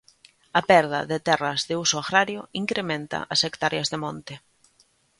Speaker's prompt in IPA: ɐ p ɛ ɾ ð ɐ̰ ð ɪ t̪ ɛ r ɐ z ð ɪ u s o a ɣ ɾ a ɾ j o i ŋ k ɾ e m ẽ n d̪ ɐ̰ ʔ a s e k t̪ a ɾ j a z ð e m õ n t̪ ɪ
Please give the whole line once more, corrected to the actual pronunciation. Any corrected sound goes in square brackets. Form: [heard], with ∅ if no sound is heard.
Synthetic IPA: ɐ p ɛ ɾ ð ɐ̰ ð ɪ t̪ ɛ r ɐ z ð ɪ u s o a ɣ ɾ a ɾ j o i ŋ k ɾ e m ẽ n [t̪] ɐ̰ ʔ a s e k t̪ a ɾ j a z ð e m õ n t̪ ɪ